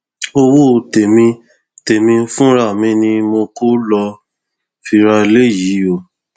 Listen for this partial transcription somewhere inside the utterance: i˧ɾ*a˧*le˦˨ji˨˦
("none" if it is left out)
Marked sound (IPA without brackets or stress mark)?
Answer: a˧